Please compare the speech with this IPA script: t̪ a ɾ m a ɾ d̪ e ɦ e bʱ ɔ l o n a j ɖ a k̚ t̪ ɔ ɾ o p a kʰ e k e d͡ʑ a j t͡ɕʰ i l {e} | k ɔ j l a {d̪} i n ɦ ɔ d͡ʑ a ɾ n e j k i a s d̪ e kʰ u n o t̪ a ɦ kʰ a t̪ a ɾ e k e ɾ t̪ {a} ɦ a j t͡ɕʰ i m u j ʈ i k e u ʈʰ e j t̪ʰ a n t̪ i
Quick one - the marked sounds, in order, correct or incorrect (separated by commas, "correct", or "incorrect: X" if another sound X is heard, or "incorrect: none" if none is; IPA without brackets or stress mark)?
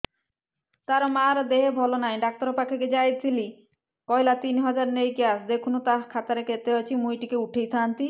incorrect: i, incorrect: t̪, incorrect: e